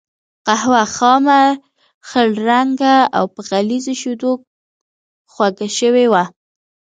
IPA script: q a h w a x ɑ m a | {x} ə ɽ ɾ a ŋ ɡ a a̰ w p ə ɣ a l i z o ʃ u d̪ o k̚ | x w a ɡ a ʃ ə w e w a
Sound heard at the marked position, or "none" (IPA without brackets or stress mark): x